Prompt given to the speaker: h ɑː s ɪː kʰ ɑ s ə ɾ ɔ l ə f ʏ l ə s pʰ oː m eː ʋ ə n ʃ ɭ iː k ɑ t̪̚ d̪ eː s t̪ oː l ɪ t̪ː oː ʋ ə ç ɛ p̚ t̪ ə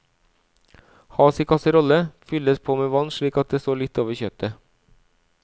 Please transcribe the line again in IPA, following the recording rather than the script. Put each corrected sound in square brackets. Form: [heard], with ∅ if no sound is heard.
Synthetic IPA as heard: h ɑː s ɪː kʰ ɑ s ə ɾ ɔ l ə f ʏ l ə s pʰ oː m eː ʋ [ɑ] n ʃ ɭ iː k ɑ t̪̚ d̪ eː s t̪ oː l ɪ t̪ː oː ʋ ə ç [œ] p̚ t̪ ə